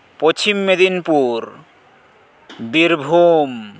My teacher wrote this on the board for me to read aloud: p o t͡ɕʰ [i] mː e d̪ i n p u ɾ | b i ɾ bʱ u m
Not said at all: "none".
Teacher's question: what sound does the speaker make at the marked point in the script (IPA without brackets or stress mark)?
i